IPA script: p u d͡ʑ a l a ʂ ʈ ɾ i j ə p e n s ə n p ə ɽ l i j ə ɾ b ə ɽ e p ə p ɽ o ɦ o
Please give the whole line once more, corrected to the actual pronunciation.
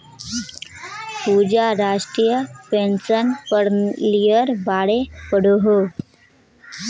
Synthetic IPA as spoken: p u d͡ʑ a ɾ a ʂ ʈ ɾ i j ə p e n s ə n p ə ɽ l i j ə ɾ b a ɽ e p ə ɽ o ɦ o